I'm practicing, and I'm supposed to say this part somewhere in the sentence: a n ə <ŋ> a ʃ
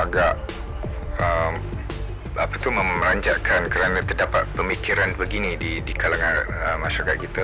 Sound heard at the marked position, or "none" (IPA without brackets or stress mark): m